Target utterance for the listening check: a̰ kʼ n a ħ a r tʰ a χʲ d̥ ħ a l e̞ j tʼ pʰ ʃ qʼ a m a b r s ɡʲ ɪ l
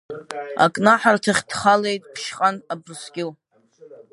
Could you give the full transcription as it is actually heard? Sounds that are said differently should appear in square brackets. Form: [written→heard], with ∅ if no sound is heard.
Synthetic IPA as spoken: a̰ kʼ n a ħ a r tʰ a χʲ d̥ [ħ→χ] a l e̞ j tʼ pʰ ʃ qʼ a [m→n] a b r s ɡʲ ɪ l